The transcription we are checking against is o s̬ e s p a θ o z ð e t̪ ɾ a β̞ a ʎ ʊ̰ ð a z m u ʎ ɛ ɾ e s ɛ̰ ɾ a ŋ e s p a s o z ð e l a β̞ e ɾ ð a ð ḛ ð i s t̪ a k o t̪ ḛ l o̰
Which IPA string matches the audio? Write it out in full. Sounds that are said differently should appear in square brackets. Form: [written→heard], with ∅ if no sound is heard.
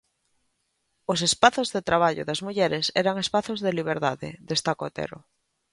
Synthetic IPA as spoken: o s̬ e s p a θ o z ð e t̪ ɾ a β̞ a ʎ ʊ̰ ð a z m u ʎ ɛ ɾ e s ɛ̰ ɾ a ŋ e s p a [s→θ] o z ð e l [a→i] β̞ e ɾ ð a ð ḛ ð [i→e] s t̪ a k o t̪ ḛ [l→ɾ] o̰

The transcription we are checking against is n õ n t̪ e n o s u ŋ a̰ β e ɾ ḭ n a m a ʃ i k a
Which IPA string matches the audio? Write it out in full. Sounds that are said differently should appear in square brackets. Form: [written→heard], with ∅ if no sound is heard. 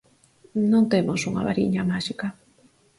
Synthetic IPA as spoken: n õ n t̪ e [n→m] o s u ŋ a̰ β [e→a] ɾ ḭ [n→ɲ] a m a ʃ i k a

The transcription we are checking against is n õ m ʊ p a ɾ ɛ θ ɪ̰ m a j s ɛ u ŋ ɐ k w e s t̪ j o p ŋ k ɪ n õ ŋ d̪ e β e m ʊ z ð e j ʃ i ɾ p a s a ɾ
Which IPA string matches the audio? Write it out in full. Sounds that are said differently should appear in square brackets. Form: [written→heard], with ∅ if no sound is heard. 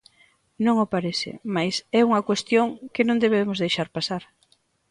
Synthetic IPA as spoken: n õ [m→ŋ] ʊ p a ɾ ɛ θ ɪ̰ m a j s ɛ u ŋ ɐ k w e s t̪ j o [p→∅] ŋ k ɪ n õ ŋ d̪ e β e m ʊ z ð e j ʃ [i→a] ɾ p a s a ɾ

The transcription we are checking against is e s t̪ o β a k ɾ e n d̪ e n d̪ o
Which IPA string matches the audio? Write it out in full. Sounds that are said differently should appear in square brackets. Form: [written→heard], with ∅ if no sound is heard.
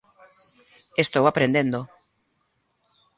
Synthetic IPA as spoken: e s t̪ o [β→w] a [k→p] ɾ e n d̪ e n d̪ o

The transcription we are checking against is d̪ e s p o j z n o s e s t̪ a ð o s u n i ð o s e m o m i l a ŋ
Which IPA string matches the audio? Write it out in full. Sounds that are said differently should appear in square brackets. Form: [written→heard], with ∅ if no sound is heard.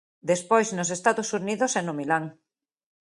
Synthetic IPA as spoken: d̪ e s p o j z n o s e s t̪ a ð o s u n i ð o s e [m→n] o m i l a ŋ

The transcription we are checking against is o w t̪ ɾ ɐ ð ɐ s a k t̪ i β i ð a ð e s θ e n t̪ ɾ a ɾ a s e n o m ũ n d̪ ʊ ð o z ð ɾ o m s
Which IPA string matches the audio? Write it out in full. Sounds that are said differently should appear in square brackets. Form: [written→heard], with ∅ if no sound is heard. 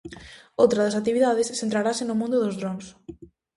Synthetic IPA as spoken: o w t̪ ɾ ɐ ð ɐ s a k t̪ i β i ð a ð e s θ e n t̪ ɾ a ɾ a s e n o m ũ n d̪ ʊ ð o z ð ɾ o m s

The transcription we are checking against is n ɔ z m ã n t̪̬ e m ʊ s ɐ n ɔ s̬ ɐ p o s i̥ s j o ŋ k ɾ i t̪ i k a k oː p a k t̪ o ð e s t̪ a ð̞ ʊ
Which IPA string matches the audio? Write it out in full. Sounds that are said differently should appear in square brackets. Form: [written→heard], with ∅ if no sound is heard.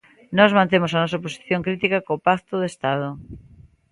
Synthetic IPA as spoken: n ɔ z m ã n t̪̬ e m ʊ s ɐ n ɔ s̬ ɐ p o s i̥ [s→θ] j o ŋ k ɾ i t̪ i k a k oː p a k t̪ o ð e s t̪ a ð̞ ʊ

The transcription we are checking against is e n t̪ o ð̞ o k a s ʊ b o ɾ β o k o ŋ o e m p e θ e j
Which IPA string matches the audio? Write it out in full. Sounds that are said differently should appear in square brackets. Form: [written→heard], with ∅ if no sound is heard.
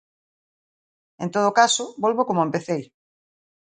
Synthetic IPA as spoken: e n t̪ o ð̞ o k a s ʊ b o [ɾ→l] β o k o [ŋ→m] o e m p e θ e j

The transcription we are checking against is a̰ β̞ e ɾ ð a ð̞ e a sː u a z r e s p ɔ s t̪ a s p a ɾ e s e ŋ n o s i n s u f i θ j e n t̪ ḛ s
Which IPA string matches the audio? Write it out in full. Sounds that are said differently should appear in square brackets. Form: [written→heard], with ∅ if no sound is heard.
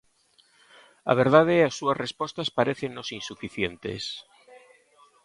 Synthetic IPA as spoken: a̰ β̞ e ɾ ð a ð̞ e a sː u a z r e s p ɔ s t̪ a s p a ɾ e [s→θ] e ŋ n o s i n s u f i θ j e n t̪ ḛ s

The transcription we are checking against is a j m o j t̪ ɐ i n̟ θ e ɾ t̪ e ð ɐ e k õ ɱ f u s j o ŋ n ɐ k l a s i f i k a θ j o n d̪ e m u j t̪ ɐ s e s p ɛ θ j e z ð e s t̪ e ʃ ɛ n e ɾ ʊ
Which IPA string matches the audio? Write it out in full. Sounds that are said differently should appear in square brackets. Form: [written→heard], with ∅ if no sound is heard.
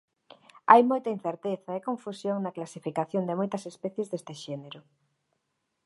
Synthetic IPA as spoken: a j m o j t̪ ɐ i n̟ θ e ɾ t̪ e [ð→θ] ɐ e k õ ɱ f u s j o ŋ n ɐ k l a s i f i k a θ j o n d̪ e m [u→o] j t̪ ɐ s e s p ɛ θ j e z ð e s t̪ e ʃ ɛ n e ɾ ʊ

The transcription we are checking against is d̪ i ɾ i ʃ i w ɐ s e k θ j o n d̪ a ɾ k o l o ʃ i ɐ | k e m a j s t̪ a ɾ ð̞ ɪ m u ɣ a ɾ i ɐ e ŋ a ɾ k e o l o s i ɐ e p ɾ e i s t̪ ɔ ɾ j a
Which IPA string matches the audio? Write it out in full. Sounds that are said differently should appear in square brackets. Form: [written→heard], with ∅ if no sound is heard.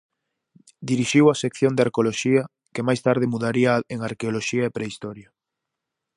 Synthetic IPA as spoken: d̪ i ɾ i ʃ i w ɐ s e k θ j o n d̪ a ɾ k o l o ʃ i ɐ | k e m a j s t̪ a ɾ ð̞ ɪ m u [ɣ→ð] a ɾ i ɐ e ŋ a ɾ k e o l o [s→ʃ] i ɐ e p ɾ e i s t̪ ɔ ɾ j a

